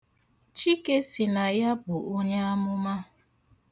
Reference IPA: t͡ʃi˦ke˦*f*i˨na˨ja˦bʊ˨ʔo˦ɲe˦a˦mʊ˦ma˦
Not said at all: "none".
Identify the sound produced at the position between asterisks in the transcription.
s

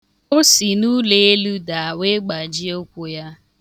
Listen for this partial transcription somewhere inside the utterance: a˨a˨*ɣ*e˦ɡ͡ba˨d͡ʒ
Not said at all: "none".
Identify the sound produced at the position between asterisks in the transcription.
w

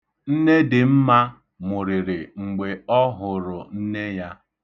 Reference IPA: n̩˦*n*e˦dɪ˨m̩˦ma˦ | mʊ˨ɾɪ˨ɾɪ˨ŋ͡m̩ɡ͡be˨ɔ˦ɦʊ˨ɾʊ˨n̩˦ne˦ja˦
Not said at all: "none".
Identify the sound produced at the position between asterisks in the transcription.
n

